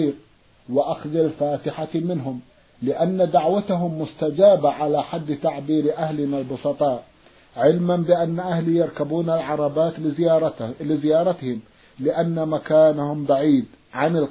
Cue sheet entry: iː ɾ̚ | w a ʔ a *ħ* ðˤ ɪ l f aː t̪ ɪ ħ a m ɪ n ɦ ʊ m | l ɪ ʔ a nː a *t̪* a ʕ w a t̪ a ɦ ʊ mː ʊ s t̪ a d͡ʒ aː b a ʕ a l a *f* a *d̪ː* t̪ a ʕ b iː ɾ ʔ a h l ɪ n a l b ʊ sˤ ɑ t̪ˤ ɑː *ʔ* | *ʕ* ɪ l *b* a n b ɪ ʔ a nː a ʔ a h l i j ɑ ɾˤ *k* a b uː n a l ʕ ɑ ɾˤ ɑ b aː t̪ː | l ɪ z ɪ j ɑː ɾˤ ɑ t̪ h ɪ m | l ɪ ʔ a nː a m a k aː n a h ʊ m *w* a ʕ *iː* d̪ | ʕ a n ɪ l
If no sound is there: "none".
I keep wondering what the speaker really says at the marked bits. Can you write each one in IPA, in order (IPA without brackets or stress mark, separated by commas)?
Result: x, d̪, ħ, d̪ː, ʔ, ʕ, m, k, b, iː